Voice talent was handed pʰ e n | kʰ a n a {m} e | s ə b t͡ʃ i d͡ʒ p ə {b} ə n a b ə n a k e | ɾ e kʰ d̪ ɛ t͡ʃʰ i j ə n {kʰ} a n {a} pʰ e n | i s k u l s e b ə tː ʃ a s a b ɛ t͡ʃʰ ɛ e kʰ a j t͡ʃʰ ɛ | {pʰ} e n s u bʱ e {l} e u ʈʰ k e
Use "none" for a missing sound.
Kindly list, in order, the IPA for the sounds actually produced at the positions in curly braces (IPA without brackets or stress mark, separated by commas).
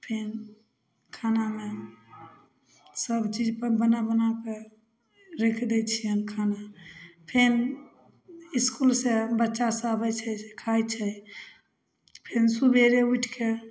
m, b, kʰ, a, pʰ, ɾ